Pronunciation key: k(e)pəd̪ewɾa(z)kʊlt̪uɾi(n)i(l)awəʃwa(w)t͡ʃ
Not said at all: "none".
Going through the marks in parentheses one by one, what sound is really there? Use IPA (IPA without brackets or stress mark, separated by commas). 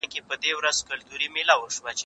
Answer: e, z, m, l, none